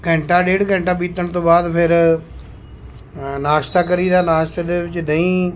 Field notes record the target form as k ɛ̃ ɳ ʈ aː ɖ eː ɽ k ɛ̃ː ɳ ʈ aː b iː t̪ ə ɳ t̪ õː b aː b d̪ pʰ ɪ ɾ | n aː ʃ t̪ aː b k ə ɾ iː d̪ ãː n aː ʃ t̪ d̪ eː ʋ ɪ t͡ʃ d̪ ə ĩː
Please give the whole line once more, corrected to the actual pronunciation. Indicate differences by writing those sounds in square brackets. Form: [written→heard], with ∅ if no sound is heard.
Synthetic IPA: k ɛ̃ ɳ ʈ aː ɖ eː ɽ k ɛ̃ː ɳ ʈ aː b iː t̪ ə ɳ t̪ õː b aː [b→∅] d̪ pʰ ɪ ɾ | n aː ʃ t̪ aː [b→∅] k ə ɾ iː d̪ [ãː→aː] n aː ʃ t̪ d̪ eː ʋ ɪ t͡ʃ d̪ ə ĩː